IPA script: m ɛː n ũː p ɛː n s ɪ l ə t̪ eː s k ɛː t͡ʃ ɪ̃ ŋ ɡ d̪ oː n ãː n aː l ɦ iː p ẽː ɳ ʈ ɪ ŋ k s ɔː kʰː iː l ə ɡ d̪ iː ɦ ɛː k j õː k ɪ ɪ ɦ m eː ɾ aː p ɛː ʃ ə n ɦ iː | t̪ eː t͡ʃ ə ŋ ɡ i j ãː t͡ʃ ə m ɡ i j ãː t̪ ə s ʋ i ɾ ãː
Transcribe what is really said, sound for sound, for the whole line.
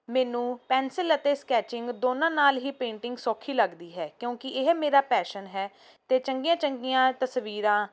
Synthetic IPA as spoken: m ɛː n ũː p ɛː n s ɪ l ə t̪ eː s k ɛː t͡ʃ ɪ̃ ŋ ɡ d̪ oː n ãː n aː l ɦ iː p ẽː ɳ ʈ ɪ ŋ ɡ s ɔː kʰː iː l ə ɡ d̪ iː ɦ ɛː k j õː k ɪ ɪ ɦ m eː ɾ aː p ɛː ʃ ə n ɦ ɛː | t̪ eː t͡ʃ ə ŋ ɡ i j ãː t͡ʃ ə ŋ ɡ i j ãː t̪ ə s ʋ iː ɾ ãː